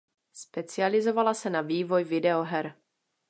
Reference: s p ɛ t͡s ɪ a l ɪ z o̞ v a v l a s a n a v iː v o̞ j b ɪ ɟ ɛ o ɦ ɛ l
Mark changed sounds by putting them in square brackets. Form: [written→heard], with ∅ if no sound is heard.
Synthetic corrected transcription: s p ɛ t͡s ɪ a l ɪ z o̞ v a [v→∅] l a s [a→ɛ] n a v iː v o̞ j [b→v] ɪ [ɟ→d] ɛ o ɦ ɛ [l→ɾ]